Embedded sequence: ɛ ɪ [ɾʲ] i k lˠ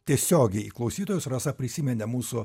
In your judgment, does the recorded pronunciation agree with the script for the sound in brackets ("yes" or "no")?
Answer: no